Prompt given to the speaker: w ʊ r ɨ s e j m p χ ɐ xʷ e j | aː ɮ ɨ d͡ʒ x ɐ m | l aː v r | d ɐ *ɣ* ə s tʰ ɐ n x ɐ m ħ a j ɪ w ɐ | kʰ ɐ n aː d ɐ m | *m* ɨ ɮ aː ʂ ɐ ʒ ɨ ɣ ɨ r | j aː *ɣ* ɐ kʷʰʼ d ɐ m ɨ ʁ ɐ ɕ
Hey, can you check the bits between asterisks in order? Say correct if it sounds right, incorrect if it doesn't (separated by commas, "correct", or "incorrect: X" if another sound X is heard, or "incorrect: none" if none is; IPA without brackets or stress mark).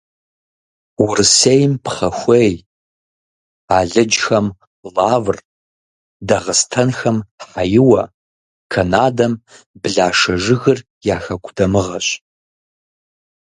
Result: incorrect: ʁ, incorrect: b, incorrect: x